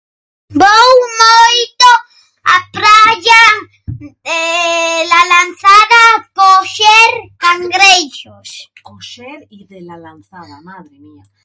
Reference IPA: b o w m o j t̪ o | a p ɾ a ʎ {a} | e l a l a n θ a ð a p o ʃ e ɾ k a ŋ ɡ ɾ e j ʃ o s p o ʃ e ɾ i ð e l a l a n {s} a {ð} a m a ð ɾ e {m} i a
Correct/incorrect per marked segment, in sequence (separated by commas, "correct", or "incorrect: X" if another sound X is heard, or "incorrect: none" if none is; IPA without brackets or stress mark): correct, incorrect: θ, correct, correct